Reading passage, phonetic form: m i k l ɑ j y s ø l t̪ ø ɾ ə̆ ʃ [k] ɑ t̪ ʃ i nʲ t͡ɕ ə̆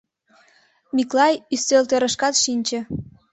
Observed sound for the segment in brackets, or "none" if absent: k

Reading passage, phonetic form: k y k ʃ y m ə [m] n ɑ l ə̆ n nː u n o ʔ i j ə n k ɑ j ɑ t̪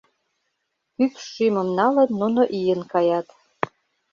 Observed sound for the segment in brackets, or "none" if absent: m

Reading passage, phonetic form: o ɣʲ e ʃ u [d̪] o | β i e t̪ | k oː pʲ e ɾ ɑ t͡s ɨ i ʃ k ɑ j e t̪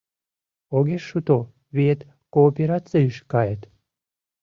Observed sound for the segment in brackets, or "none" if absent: t̪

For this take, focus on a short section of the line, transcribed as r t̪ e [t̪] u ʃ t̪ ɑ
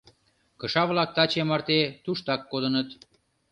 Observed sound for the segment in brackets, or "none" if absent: t̪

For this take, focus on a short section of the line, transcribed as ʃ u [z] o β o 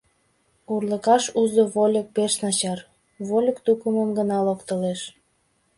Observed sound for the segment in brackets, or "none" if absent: z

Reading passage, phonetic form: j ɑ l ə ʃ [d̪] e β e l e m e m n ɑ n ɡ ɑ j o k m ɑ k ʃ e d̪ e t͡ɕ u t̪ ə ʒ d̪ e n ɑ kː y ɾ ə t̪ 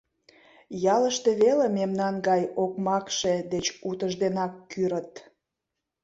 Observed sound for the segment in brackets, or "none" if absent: t̪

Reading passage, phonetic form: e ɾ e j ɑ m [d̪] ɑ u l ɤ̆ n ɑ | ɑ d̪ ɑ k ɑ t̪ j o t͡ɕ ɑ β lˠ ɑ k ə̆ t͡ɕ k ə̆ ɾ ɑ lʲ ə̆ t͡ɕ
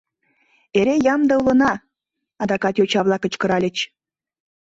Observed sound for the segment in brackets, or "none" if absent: d̪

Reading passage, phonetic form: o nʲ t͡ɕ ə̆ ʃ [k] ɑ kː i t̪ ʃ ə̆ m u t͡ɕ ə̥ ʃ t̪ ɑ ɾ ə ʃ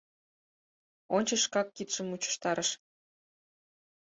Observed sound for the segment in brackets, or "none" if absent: k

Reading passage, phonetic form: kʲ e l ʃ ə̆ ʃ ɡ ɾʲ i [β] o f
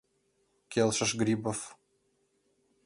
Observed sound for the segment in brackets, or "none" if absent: b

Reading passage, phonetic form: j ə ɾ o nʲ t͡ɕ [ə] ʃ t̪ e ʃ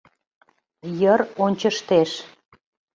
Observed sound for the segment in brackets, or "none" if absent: ə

